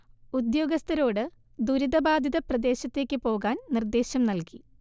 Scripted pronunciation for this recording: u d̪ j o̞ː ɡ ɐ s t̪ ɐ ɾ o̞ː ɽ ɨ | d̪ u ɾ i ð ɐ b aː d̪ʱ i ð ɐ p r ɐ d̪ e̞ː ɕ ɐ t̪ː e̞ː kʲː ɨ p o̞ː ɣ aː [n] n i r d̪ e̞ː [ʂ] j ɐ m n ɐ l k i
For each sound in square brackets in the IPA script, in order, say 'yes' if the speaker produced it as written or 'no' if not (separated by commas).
yes, no